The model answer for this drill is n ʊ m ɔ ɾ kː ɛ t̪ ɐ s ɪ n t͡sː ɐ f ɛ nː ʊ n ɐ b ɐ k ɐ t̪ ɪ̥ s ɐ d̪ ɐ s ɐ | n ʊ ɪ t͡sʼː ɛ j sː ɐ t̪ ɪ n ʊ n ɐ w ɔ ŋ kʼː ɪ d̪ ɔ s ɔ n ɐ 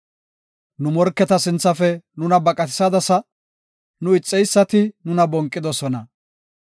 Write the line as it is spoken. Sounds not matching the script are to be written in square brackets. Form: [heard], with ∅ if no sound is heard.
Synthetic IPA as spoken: n ʊ m ɔ ɾ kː ɛ t̪ ɐ s ɪ n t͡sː ɐ f ɛ [n] ʊ n ɐ b ɐ [kʼ] ɐ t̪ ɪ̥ s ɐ d̪ ɐ s ɐ | n ʊ ɪ t͡sʼː ɛ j sː ɐ t̪ ɪ n ʊ n ɐ [b] ɔ ŋ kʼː ɪ d̪ ɔ s ɔ n ɐ